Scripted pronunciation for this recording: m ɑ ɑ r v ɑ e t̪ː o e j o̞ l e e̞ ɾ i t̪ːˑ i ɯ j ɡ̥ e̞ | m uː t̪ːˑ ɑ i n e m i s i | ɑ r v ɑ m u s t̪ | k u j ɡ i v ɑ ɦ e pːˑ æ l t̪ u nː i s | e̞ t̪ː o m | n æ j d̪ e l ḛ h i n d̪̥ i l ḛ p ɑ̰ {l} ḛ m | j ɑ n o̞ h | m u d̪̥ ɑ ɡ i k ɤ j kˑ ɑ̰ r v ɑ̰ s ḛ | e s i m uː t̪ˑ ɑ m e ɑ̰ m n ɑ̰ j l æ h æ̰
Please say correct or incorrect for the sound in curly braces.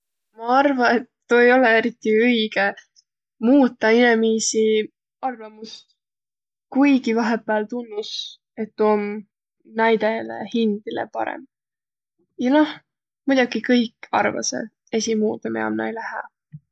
incorrect